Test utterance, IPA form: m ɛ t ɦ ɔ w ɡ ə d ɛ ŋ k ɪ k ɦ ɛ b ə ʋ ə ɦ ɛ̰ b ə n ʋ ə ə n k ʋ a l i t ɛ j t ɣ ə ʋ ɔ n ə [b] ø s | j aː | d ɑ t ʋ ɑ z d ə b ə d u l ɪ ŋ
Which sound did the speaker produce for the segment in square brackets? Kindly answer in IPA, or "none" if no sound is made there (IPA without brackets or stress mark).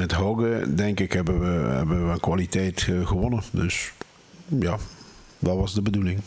d